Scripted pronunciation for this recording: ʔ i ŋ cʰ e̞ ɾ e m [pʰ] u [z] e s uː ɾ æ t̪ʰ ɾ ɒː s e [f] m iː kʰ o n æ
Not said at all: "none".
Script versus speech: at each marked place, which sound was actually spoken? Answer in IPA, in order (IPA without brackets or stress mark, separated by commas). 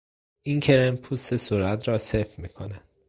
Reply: pʰ, s, f